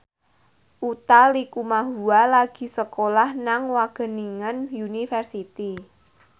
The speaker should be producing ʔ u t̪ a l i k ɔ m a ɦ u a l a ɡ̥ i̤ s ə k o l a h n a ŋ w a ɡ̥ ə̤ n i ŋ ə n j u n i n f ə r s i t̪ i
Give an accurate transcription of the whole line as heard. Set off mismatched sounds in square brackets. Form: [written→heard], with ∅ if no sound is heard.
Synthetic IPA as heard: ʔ u t̪ a l i k [ɔ→u] m a ɦ u a l a ɡ̥ i̤ s ə k o l a h n a ŋ w a ɡ̥ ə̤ n i ŋ ə n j u n i [n→∅] f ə r s i t̪ i

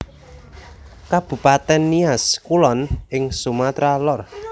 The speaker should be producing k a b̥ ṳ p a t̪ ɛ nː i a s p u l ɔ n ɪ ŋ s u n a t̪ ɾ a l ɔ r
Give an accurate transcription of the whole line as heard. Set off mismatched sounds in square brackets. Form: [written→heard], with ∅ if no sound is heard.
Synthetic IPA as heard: k a b̥ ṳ p a t̪ ɛ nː i a s [p→k] u l ɔ n ɪ ŋ s u [n→m] a t̪ ɾ a l ɔ r

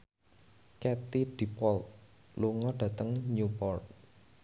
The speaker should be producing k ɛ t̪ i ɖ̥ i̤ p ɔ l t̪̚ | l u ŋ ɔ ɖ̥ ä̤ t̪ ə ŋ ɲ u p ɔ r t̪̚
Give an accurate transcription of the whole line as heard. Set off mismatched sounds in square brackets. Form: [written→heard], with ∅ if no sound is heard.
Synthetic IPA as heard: k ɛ t̪ i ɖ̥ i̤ p ɔ l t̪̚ | l u ŋ ɔ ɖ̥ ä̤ t̪ ə ŋ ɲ u p ɔ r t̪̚

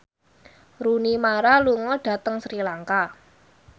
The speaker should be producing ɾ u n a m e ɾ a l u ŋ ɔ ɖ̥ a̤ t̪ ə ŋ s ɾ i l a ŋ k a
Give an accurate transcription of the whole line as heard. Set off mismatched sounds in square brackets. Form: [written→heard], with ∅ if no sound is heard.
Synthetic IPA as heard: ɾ u n [a→i] m [e→a] ɾ a l u ŋ ɔ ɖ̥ a̤ t̪ ə ŋ s ɾ i l a ŋ k a

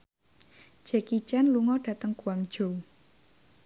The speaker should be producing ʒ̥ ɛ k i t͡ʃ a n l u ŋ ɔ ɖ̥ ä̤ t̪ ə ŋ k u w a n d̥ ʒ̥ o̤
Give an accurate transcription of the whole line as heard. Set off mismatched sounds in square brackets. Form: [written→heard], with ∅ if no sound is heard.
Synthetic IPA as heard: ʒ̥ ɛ k i t͡ʃ a n l u ŋ ɔ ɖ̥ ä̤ t̪ ə ŋ k u w a [n→ŋ] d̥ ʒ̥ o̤

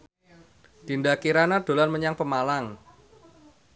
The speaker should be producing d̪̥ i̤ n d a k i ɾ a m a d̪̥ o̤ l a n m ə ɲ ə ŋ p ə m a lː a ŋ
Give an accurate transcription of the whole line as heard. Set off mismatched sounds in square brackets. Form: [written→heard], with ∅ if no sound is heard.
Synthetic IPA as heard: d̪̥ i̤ n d a k i ɾ a [m→n] a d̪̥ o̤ l a n m ə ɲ [ə→a] ŋ p ə m a [lː→l] a ŋ

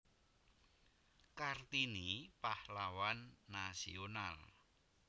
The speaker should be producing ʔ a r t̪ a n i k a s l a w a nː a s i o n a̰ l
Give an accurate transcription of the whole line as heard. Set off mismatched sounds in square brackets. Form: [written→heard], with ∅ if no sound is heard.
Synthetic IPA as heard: [ʔ→k] a r t̪ [a→i] n i [k→p] a [s→h] l a w a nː a s i o n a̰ l

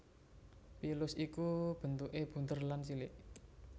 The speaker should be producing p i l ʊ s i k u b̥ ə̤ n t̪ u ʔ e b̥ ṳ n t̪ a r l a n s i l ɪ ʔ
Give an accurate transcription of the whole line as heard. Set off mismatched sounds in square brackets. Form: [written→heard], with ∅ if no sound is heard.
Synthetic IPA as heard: p i l ʊ s i k u b̥ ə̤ n t̪ u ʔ e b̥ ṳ n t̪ [a→ə] r l a n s i l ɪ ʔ

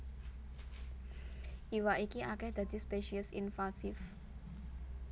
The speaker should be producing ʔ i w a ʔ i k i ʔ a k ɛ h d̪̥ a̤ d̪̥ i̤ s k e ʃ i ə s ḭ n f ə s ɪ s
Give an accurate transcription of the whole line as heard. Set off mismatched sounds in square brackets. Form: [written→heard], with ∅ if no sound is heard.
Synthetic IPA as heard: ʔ i w a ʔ i k i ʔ a k ɛ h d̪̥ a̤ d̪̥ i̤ s [k→p] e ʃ i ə s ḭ n f [ə→a] s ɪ [s→f]

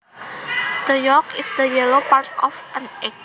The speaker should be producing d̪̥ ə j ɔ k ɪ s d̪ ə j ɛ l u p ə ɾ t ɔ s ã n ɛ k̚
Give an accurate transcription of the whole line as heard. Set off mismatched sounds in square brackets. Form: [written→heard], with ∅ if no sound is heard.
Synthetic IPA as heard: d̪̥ ə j ɔ k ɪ s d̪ ə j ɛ l [u→o] p [ə→a] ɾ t ɔ [s→f] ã n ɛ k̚

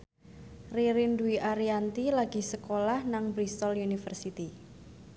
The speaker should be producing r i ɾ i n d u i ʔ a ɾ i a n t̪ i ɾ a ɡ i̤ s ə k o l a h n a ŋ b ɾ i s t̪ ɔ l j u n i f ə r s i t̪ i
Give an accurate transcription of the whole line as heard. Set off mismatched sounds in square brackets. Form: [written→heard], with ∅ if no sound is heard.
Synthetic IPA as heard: r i ɾ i n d u i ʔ a ɾ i a n t̪ i [ɾ→l] a ɡ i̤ s ə k o l a h n a ŋ b ɾ i s t̪ ɔ l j u n i f ə r s i t̪ i

